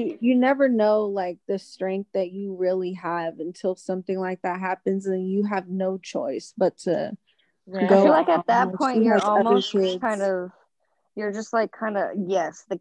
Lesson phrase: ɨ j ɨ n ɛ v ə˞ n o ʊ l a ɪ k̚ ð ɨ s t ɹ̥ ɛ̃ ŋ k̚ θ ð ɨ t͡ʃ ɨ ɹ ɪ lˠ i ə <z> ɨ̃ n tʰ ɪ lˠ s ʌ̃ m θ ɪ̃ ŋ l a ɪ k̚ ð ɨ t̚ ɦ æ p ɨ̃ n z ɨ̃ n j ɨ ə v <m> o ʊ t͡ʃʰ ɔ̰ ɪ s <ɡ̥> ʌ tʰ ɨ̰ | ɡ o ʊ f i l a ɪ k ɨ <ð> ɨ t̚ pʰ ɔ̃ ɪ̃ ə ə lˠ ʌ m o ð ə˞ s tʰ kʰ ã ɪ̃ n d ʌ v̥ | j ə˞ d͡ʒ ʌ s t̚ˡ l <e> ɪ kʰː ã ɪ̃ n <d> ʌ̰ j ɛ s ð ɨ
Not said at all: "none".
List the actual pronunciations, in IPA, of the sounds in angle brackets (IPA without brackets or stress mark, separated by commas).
v, n, b̥, ð, a, d